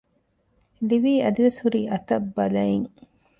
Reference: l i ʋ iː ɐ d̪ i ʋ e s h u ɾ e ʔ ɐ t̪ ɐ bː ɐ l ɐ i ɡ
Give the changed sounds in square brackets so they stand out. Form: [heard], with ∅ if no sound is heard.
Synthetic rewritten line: l i ʋ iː ɐ d̪ i ʋ e s h u ɾ [i] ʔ ɐ t̪ ɐ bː ɐ l ɐ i [ŋ]

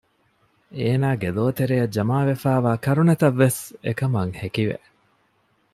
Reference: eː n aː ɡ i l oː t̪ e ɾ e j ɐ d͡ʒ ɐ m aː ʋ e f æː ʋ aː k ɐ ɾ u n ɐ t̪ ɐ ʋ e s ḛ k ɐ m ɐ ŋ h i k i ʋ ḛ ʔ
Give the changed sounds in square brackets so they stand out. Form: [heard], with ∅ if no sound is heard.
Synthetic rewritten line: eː n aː ɡ [e] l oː t̪ e ɾ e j ɐ d͡ʒ ɐ m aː ʋ e f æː ʋ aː k ɐ ɾ u n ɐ t̪ ɐ [ʋː] e s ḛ k ɐ m ɐ ŋ h [e] k i ʋ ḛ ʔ

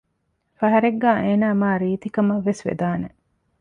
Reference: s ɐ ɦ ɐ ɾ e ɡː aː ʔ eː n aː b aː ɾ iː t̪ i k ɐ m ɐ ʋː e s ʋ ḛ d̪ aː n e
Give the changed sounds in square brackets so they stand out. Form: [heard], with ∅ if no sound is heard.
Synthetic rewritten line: [f] ɐ ɦ ɐ ɾ e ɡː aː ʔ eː n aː [m] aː ɾ iː t̪ i k ɐ m ɐ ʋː e s ʋ ḛ d̪ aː n e

